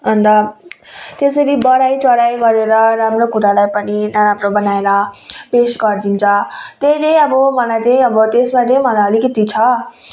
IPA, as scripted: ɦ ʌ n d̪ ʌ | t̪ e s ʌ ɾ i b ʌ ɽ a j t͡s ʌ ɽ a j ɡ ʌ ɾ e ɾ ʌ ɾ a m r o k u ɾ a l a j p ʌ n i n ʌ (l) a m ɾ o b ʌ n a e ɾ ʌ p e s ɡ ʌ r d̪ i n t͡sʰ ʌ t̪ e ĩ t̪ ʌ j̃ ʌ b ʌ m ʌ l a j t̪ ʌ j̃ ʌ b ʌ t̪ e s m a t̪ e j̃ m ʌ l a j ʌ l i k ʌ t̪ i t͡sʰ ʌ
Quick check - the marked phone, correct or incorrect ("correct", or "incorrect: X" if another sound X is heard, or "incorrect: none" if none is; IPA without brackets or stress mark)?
incorrect: ɾ